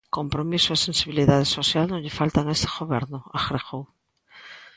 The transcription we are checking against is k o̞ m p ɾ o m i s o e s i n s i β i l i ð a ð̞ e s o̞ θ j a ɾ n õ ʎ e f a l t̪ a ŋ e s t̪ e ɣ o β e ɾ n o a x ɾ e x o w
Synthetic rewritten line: k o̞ m p ɾ o m i s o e s e n s i β i l i ð a ð̞ e s o̞ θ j a l n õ ʎ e f a l t̪ a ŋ e s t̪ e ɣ o β e ɾ n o a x ɾ e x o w